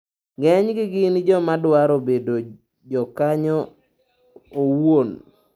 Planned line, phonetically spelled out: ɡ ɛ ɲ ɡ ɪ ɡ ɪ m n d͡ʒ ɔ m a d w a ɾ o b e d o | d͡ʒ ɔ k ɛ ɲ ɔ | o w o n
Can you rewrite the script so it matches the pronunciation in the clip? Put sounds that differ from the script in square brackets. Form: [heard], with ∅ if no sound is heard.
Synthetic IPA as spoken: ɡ ɛ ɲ ɡ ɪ ɡ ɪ [∅] n d͡ʒ ɔ m a d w a ɾ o b e d o | d͡ʒ ɔ k [a] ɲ ɔ | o w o n